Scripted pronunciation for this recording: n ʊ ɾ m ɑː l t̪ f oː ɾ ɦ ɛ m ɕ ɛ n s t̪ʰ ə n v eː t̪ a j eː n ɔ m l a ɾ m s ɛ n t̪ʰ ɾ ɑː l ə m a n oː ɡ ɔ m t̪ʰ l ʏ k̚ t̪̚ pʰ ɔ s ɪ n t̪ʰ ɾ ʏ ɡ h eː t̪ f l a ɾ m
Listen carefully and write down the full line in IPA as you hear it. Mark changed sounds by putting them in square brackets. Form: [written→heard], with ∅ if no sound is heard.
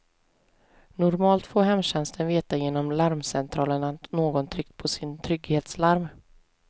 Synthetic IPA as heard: n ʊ ɾ m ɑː l t̪ f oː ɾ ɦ ɛ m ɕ ɛ n s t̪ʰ ə n v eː t̪ a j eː n ɔ m l a ɾ m s ɛ n t̪ʰ ɾ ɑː l ə [m→ɳ] a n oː ɡ ɔ [m→n] t̪ʰ [l→ɾ] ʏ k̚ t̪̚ pʰ ɔ s ɪ n t̪ʰ ɾ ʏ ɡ h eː t̪ [f→s] l a ɾ m